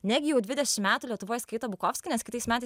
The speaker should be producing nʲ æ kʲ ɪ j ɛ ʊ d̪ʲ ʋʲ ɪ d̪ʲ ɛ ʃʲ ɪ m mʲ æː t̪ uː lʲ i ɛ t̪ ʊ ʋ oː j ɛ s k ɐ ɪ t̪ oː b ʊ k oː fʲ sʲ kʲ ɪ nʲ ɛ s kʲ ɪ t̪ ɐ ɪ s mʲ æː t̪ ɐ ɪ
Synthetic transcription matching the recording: nʲ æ ɡʲ ɪ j ɛ ʊ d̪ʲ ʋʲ ɪ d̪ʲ ɛ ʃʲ ɪ m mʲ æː t̪ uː lʲ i ɛ t̪ ʊ ʋ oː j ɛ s k ɐ ɪ t̪ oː b ʊ k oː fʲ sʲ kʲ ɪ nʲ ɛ s kʲ ɪ t̪ ɐ ɪ s mʲ æː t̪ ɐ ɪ